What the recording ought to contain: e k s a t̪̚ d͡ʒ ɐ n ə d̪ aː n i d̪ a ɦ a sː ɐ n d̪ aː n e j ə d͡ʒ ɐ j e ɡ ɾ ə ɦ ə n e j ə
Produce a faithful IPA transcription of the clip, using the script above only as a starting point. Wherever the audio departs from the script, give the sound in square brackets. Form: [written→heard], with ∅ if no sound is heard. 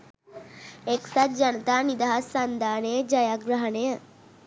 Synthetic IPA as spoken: e k s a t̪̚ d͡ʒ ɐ n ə [d̪→t̪] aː n i d̪ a ɦ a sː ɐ n d̪ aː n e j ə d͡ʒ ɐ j [e→a] ɡ ɾ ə ɦ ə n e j ə